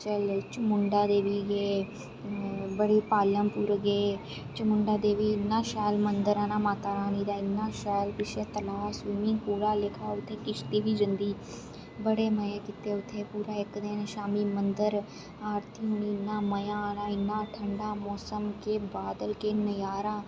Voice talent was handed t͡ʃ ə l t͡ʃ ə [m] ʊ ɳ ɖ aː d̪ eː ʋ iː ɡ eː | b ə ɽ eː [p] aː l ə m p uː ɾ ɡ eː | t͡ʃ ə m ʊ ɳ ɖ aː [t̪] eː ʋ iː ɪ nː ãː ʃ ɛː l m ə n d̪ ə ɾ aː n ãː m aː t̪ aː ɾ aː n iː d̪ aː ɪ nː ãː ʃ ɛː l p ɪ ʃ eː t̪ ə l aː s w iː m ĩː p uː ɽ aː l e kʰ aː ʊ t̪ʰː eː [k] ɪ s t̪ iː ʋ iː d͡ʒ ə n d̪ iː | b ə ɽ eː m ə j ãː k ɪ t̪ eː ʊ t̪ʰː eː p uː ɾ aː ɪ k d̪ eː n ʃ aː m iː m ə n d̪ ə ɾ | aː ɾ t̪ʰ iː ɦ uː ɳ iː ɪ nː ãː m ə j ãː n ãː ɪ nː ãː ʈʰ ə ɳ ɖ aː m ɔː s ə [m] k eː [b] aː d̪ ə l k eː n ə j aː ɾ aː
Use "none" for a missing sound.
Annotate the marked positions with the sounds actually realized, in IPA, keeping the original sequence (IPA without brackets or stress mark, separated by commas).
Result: m, p, d̪, k, m, b